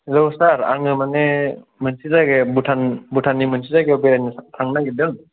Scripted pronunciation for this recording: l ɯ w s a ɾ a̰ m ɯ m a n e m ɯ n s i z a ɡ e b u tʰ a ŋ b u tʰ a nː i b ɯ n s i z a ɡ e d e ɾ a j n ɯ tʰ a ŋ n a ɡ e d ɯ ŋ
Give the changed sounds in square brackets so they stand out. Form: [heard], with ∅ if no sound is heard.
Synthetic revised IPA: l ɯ w s a ɾ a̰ [ŋ] ɯ m a n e m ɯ n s i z a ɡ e b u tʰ a [n] b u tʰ a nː i [m] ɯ n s i z a ɡ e [b] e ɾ a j n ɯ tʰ a ŋ n a ɡ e d ɯ ŋ